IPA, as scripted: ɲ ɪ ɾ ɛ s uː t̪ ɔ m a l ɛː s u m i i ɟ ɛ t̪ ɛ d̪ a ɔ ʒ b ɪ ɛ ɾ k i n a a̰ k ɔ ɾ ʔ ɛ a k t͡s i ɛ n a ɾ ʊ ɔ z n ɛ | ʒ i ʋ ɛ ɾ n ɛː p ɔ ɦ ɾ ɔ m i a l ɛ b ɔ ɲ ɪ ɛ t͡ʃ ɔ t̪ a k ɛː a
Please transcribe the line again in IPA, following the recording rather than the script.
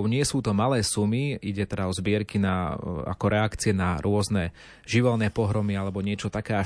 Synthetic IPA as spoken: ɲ ɪ ɛ s uː t̪ ɔ m a l ɛː s u m i i ɟ ɛ t̪ ɛ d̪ a ɔ z b ɪ ɛ ɾ k i n a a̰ k ɔ ɾ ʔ ɛ a k t͡s i ɛ n a ɾ ʊ ɔ z n ɛ | ʒ i ʋ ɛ l n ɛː p ɔ ɦ ɾ ɔ m i a l ɛ b ɔ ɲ ɪ ɛ t͡ʃ ɔ t̪ a k ɛː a